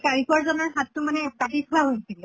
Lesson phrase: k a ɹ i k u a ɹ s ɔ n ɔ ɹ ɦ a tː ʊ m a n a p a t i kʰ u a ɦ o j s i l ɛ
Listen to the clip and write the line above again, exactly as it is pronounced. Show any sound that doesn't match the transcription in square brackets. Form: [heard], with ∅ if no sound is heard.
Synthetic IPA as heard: k a ɹ i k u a ɹ [z] ɔ n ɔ ɹ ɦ a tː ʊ m a n [ɛ] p a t i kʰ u a ɦ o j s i l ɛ

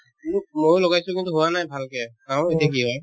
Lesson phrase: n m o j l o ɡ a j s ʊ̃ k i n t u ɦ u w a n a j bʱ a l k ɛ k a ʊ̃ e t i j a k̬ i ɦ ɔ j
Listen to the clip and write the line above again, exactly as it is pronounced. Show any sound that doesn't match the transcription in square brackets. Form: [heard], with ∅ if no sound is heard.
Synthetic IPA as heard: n m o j l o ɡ a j s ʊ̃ k i n t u ɦ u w a n a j bʱ a l k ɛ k a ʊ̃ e t i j a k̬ i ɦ ɔ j

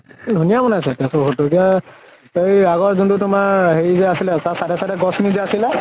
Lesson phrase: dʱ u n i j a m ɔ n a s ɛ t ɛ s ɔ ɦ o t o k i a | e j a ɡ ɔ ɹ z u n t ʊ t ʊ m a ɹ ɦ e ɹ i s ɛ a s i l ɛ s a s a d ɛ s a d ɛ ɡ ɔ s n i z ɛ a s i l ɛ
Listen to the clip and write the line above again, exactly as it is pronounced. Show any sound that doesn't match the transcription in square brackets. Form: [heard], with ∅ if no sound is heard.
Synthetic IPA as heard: dʱ u n i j a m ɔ n a s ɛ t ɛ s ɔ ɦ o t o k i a | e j a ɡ ɔ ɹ z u n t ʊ t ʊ m a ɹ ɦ e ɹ i [z] ɛ a s i l ɛ s a s a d ɛ s a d ɛ ɡ ɔ s n i z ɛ a s i l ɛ

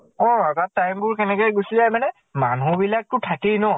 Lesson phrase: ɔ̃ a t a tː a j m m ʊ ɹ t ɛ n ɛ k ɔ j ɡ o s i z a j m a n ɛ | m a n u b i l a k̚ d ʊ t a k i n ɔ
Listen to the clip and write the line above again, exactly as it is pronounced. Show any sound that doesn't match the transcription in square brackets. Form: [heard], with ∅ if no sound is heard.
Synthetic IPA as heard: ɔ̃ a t a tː a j m [b] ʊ ɹ [k] ɛ n ɛ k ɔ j ɡ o s i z a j m a n ɛ | m a n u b i l a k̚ [t] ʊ [tʰ] a k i n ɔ

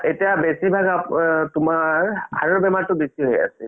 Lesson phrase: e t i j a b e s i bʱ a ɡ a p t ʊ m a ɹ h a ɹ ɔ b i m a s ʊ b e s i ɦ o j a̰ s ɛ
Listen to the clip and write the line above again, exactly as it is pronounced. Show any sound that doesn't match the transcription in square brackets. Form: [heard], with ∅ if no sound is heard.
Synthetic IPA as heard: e t i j a b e s i bʱ a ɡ a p t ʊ m a ɹ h a ɹ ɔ b [ɛ] m a [t] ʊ b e s i ɦ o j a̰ s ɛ

